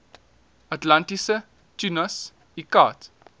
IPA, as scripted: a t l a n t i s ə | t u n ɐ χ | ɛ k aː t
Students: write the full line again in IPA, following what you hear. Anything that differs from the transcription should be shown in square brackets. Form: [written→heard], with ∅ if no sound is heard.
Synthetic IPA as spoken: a t l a n t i s ə | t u n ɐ [χ→s] | [ɛ→i] k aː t